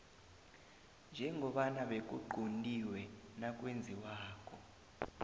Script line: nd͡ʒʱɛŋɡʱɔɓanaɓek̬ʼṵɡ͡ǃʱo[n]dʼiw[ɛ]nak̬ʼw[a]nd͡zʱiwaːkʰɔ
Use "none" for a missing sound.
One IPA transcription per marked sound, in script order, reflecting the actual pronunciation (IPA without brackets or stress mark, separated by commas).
n, ɛ, e